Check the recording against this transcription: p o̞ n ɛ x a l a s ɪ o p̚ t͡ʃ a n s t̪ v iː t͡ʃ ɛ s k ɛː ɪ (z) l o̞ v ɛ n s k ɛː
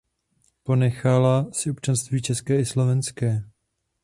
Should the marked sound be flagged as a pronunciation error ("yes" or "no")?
yes